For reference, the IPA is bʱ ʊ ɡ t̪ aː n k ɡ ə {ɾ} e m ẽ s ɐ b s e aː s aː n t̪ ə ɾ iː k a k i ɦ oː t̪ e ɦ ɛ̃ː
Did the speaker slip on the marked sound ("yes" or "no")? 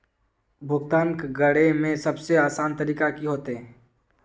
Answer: yes